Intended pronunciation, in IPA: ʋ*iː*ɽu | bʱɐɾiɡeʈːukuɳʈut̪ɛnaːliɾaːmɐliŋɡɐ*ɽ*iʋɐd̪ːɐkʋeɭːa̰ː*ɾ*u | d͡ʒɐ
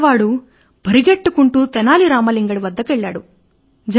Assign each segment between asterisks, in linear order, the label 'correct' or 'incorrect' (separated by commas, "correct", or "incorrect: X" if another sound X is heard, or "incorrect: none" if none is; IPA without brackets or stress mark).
incorrect: aː, correct, incorrect: ɽ